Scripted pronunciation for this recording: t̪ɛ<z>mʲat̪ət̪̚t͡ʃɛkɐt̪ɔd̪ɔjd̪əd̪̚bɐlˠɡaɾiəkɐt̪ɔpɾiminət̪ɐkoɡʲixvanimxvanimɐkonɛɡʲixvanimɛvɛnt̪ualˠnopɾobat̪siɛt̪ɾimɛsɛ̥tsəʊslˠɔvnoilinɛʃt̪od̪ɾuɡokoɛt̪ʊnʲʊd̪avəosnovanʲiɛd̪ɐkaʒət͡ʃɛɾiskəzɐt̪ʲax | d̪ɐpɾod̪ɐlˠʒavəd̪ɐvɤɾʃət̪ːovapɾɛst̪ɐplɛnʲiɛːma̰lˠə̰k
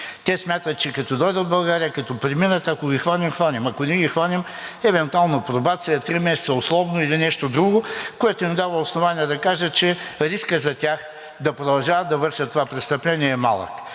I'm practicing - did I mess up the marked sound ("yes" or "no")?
yes